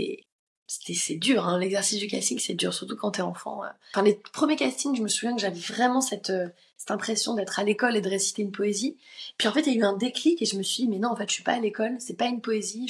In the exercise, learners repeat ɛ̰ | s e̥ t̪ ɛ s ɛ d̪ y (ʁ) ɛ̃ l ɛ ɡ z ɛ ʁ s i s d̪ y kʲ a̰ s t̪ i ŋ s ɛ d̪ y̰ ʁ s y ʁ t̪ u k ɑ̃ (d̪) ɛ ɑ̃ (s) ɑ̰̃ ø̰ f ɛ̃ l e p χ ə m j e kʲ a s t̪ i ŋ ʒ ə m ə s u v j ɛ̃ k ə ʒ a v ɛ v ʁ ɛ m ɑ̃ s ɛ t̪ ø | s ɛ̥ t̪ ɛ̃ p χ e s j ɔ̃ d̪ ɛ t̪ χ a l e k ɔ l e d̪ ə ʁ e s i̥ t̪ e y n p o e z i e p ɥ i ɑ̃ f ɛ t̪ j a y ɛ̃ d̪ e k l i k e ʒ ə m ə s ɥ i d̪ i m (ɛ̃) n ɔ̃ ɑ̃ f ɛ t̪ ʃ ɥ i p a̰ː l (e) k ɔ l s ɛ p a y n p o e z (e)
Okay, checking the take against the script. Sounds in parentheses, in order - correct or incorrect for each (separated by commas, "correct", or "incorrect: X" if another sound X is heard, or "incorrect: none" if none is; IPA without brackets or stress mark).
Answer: correct, incorrect: t̪, incorrect: f, incorrect: ɛ, correct, incorrect: i